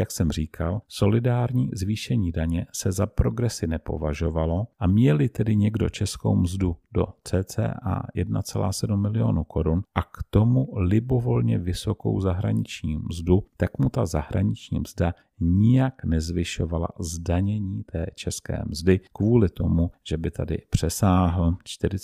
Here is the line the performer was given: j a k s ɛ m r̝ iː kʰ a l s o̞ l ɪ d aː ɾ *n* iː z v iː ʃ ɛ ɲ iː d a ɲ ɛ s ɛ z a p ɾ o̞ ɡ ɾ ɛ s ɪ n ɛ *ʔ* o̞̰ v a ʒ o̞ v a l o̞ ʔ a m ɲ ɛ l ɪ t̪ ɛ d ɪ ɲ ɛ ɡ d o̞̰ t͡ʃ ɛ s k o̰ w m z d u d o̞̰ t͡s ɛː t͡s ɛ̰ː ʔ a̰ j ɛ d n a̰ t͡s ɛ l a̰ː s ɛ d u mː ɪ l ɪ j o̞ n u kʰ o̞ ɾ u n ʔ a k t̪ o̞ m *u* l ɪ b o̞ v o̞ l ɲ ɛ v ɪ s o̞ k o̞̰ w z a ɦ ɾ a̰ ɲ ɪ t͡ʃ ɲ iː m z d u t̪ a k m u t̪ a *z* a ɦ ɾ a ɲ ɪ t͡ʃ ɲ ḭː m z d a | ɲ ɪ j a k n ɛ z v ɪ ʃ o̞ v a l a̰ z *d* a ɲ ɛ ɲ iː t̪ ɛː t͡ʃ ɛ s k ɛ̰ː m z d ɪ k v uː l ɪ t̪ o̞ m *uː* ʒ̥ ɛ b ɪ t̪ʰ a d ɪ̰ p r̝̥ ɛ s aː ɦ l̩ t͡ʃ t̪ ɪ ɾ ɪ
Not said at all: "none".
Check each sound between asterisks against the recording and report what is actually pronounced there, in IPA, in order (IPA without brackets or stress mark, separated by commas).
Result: ɲ, p, u, z, d, u